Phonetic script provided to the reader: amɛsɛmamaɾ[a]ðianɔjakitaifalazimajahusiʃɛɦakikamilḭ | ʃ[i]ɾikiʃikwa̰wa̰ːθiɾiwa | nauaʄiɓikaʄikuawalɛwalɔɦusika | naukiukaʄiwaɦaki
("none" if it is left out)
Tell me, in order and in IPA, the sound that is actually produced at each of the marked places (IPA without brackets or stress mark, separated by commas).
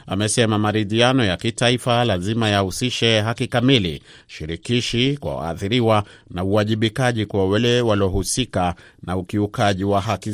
i, i